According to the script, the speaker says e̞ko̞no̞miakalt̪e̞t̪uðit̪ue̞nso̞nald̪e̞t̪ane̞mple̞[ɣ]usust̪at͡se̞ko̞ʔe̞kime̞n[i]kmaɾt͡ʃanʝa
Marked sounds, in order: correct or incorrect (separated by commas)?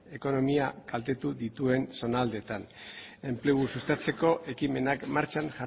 correct, incorrect